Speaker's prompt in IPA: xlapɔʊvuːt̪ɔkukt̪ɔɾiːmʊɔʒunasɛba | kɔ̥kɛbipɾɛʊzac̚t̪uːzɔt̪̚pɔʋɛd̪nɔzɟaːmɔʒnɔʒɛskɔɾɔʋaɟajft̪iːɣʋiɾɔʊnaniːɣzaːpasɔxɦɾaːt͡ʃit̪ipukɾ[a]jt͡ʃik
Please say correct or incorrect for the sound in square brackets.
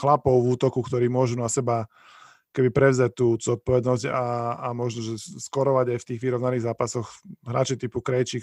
incorrect